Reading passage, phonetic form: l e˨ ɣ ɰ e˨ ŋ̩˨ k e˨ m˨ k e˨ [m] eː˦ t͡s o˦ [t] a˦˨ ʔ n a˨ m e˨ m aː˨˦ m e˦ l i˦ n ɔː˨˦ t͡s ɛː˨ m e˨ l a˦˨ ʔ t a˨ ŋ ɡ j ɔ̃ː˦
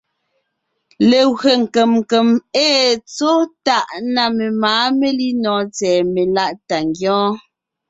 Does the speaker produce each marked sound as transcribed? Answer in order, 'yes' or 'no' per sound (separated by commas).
yes, yes